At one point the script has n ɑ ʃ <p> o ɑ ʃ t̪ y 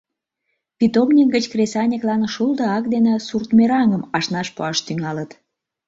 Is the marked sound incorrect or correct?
correct